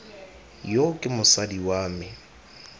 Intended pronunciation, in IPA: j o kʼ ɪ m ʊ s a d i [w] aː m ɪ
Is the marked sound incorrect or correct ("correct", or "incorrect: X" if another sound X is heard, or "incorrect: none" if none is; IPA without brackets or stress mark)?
correct